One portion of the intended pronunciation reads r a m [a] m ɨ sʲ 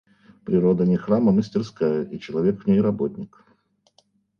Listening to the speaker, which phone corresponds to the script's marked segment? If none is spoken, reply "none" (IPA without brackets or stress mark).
ə